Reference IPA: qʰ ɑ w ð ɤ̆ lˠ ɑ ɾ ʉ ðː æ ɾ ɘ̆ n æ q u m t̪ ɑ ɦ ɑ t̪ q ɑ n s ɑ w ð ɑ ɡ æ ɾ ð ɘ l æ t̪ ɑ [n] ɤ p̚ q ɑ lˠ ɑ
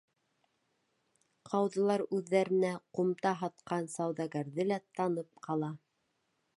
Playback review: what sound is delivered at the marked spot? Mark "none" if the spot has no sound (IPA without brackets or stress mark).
n